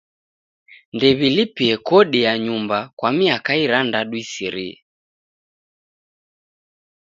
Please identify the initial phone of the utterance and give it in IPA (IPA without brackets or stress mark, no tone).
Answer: n